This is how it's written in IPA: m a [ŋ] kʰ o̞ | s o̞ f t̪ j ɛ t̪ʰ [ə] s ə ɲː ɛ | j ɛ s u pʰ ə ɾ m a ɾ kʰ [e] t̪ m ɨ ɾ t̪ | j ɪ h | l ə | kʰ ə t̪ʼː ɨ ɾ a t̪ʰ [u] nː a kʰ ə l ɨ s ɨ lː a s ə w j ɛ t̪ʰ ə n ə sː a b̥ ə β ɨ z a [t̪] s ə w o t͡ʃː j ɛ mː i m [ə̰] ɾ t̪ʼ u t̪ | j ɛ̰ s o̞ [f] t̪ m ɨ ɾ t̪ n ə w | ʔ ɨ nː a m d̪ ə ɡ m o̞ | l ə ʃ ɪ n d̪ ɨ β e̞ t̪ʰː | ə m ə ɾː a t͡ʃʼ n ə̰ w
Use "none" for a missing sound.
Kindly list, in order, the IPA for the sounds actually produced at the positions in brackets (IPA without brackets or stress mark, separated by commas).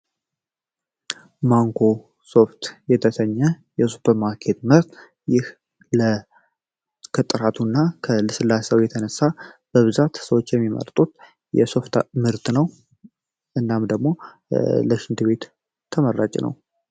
ŋ, ə, e, u, t̪, ə̰, f